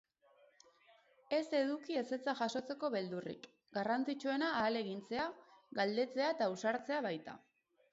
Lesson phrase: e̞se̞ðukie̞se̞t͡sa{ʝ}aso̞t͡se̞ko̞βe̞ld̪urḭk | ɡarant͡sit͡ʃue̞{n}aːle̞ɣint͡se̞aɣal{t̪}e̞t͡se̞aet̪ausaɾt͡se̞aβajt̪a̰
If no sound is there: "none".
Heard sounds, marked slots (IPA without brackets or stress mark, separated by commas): ʝ, n, d̪